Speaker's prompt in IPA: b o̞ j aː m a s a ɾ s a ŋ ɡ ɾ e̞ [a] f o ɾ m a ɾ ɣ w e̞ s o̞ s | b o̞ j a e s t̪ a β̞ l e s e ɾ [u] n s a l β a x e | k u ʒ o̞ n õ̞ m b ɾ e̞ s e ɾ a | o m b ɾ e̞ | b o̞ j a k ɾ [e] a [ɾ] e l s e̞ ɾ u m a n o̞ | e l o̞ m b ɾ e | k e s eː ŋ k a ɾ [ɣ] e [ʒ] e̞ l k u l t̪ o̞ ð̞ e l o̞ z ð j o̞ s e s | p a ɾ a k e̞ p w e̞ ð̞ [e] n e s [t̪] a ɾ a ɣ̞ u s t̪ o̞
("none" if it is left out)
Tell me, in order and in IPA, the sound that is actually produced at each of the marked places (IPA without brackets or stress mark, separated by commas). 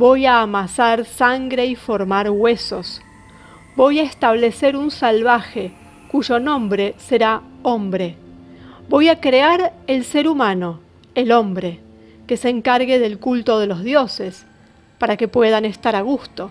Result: i, u, e, ɾ, ɣ, ð, a, t̪